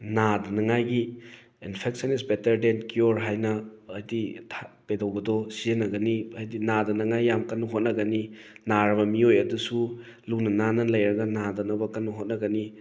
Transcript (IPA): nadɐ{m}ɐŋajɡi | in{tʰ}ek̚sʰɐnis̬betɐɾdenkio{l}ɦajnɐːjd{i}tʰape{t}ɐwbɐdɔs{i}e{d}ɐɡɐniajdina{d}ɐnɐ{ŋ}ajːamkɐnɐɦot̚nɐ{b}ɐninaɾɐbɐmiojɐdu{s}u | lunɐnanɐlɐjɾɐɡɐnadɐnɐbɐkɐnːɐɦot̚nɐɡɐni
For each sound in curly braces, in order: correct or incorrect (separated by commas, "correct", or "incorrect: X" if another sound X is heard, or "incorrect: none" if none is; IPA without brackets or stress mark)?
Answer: incorrect: n, incorrect: pʰ, incorrect: ɾ, correct, incorrect: d, correct, incorrect: n, correct, correct, incorrect: ɡ, correct